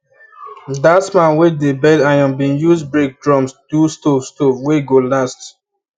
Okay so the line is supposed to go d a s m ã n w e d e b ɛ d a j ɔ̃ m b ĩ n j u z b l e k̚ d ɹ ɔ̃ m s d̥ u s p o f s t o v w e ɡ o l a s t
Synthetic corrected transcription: d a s m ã n w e d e b ɛ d a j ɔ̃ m b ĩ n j u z b ɹ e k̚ d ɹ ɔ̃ m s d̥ u s t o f s t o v w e ɡ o l a s t